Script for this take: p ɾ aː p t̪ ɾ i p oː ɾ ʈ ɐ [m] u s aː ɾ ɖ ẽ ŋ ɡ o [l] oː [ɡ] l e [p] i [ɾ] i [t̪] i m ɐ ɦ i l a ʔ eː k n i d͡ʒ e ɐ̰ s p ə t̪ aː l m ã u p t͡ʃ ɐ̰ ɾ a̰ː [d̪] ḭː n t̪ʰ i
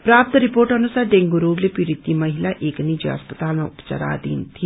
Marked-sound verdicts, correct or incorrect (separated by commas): incorrect, incorrect, correct, correct, correct, correct, correct